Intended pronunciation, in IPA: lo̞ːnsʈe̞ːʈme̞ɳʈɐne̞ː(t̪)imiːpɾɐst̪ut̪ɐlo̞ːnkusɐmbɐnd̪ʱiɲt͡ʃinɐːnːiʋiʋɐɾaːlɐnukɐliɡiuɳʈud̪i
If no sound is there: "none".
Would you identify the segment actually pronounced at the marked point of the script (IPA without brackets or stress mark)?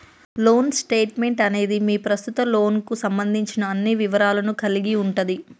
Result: d̪